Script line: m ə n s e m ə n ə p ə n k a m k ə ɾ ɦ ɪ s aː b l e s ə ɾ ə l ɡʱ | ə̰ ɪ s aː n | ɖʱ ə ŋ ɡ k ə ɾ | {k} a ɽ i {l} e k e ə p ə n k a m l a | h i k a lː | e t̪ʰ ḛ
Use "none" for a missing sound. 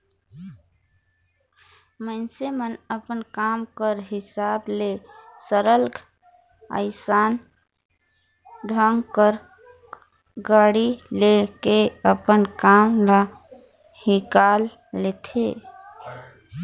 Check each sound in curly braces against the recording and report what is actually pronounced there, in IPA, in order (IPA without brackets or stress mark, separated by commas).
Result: ɡ, l